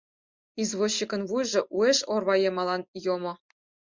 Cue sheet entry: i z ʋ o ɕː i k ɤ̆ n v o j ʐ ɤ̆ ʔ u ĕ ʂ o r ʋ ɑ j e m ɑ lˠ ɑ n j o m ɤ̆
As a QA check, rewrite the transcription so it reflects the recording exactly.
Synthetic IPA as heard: i z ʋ o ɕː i k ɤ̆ n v u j ʐ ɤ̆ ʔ u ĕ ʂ o r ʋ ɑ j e m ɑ lˠ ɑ n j o m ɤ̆